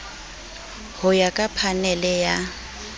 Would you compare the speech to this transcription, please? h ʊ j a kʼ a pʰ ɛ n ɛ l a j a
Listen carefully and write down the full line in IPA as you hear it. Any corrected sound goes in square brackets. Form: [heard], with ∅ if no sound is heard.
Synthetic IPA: h ʊ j a kʼ a pʰ [a] n ɛ l [ɛ] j a